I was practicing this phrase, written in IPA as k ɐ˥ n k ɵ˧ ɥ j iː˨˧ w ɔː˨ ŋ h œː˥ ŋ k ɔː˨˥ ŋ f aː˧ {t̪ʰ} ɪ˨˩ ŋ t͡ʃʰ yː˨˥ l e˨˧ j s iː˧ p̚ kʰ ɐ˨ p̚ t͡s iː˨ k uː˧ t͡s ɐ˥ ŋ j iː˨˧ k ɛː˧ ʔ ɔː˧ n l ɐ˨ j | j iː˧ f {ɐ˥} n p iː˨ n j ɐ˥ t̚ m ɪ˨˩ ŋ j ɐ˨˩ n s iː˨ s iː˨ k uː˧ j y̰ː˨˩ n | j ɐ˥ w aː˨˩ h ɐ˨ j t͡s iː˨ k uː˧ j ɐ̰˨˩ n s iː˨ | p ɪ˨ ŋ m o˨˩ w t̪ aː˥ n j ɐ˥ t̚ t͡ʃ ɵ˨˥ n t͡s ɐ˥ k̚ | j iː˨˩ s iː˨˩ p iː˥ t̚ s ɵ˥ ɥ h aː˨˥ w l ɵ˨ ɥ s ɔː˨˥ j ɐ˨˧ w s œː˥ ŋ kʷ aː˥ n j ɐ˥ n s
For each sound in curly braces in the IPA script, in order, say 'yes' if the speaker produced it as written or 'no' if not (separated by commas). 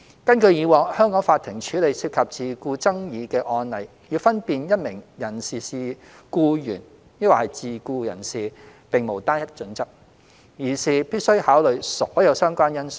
yes, yes